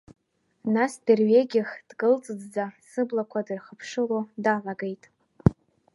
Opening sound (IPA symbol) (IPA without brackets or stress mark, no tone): n